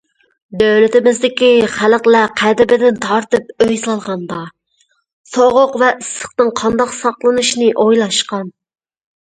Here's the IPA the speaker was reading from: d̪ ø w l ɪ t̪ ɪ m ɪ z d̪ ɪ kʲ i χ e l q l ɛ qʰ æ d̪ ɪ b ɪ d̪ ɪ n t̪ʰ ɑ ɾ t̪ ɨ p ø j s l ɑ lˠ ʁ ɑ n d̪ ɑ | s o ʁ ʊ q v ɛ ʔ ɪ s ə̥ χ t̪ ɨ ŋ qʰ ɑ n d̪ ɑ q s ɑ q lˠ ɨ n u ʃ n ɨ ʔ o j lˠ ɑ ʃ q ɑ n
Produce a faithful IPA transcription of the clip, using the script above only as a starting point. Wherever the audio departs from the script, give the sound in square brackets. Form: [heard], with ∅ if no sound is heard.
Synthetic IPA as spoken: d̪ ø w l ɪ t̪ ɪ m ɪ z d̪ ɪ kʲ i χ [æ] l q l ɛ qʰ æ d̪ ɪ b ɪ d̪ ɪ n t̪ʰ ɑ ɾ t̪ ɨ p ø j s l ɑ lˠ ʁ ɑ n d̪ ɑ | s o ʁ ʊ q v ɛ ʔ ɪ s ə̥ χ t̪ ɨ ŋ qʰ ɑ n d̪ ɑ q s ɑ q lˠ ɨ n u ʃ n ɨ ʔ o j lˠ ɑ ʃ q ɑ n